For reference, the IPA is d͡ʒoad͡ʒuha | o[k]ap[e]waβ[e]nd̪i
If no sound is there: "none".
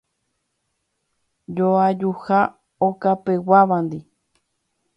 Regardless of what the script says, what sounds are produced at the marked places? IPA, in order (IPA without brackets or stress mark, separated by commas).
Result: k, e, a